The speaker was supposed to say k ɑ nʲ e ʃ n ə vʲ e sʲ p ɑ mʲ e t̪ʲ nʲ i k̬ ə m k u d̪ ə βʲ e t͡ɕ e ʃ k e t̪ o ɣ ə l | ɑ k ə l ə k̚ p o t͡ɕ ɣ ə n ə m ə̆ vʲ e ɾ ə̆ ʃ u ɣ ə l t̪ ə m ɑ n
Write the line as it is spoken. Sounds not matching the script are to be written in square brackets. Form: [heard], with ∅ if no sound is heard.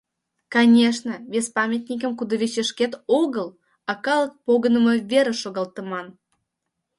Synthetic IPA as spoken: k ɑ nʲ e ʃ n ə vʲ e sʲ p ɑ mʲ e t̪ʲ nʲ i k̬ ə m k u d̪ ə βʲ e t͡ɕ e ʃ k e t̪ o ɣ ə l | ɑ k [ɑ] l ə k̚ p o [∅] ɣ ə n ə m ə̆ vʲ e ɾ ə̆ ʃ [o] ɣ [ɑ] l t̪ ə m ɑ n